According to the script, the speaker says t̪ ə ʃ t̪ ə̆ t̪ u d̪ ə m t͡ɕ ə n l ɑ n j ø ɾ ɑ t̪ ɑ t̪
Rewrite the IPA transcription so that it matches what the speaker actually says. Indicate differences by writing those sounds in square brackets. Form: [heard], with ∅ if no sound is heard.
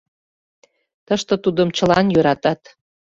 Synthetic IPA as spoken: t̪ ə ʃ t̪ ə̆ t̪ u d̪ ə m t͡ɕ ə [∅] l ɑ n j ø ɾ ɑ t̪ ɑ t̪